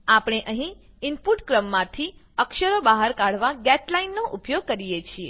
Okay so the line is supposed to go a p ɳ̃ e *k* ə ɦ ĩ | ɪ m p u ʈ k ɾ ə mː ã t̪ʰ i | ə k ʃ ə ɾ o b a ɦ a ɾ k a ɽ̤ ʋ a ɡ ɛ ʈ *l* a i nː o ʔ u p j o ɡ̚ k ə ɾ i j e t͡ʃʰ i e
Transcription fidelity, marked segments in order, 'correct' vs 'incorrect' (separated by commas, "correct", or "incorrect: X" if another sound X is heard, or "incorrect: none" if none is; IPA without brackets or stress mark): incorrect: ʔ, correct